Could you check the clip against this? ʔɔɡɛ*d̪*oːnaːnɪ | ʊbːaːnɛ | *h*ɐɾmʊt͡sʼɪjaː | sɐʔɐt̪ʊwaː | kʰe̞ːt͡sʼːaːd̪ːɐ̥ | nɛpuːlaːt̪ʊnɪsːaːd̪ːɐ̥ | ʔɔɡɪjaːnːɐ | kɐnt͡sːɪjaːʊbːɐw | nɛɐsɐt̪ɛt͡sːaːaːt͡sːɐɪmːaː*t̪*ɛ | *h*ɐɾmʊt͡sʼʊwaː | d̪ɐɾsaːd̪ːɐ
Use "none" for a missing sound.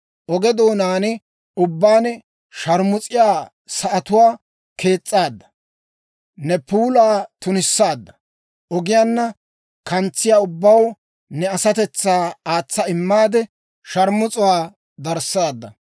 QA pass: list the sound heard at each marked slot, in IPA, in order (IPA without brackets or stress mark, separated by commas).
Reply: d̪, ʃ, d̪, ʃ